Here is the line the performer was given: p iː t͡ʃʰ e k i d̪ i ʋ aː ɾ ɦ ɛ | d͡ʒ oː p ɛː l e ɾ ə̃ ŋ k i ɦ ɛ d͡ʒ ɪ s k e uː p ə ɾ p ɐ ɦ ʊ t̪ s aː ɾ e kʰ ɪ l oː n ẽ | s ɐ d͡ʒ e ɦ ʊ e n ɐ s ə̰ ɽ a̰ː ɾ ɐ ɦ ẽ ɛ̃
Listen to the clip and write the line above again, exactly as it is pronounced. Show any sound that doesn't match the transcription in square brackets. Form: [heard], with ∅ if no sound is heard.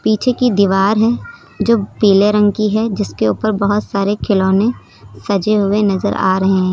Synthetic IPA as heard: p iː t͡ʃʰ e k i d̪ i ʋ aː ɾ ɦ ɛ | d͡ʒ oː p [iː] l e ɾ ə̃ ŋ k i ɦ ɛ d͡ʒ ɪ s k e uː p ə ɾ [b] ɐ ɦ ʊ t̪ s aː ɾ e kʰ ɪ l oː n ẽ | s ɐ d͡ʒ e ɦ ʊ e n ɐ [z] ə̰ [ɾ] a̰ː ɾ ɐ ɦ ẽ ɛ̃